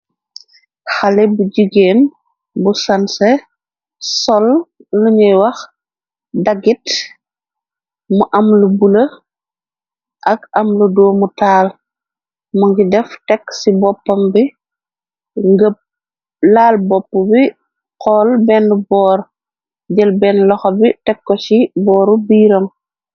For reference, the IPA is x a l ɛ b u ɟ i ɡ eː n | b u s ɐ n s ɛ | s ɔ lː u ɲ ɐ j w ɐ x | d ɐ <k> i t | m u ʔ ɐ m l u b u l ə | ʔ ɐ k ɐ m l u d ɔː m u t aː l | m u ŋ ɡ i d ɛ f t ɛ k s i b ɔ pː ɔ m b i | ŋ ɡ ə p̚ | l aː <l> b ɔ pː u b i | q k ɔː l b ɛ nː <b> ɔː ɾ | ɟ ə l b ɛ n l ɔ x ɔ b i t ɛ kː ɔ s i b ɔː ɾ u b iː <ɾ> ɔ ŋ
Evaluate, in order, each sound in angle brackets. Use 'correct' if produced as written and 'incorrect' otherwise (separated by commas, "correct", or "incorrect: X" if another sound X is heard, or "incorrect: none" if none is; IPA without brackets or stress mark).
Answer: incorrect: ɡ, correct, correct, correct